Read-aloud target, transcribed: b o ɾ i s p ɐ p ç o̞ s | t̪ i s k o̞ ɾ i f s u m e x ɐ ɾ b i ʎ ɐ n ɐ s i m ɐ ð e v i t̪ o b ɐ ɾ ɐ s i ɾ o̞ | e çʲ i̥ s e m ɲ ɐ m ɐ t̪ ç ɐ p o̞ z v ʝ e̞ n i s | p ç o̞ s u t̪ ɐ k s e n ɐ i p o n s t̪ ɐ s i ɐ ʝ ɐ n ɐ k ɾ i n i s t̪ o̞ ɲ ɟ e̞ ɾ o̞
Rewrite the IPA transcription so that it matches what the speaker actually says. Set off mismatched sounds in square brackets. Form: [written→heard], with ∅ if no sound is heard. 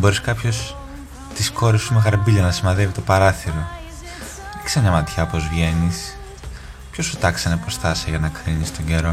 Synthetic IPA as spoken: b o ɾ i s [p→k] ɐ p ç o̞ s | t̪ i s k o̞ ɾ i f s u m e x ɐ ɾ b i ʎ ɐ n ɐ s i m ɐ ð e v i t̪ o [b→p] ɐ ɾ ɐ [s→θ] i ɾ o̞ | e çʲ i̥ s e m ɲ ɐ m ɐ t̪ ç ɐ p o̞ z v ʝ e̞ n i s | p ç o̞ s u t̪ ɐ k s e n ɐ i p o [n→∅] s t̪ ɐ s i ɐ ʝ ɐ n ɐ k ɾ i n i s t̪ o̞ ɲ ɟ e̞ ɾ o̞